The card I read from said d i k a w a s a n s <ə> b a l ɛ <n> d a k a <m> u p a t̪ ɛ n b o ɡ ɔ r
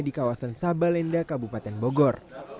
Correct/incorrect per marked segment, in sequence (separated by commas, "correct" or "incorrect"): incorrect, correct, incorrect